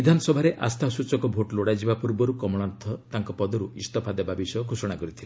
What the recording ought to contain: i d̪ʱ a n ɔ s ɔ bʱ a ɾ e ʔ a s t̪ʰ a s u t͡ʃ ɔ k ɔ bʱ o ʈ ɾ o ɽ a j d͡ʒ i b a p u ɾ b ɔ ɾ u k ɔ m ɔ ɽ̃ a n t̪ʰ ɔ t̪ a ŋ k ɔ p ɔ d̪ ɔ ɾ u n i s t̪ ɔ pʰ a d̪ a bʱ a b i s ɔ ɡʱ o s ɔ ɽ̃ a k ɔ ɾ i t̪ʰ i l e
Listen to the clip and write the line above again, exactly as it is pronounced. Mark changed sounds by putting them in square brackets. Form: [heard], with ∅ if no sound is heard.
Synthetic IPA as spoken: i d̪ʱ a n ɔ s ɔ bʱ a ɾ e ʔ a s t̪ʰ a s u t͡ʃ ɔ k ɔ bʱ o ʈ [l] o ɽ a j d͡ʒ i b a p u ɾ b ɔ ɾ u k ɔ m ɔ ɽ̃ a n t̪ʰ ɔ t̪ a ŋ k ɔ p ɔ d̪ ɔ ɾ u [∅] i s t̪ ɔ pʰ a d̪ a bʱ a b i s ɔ ɡʱ o s ɔ ɽ̃ a k ɔ ɾ i t̪ʰ i l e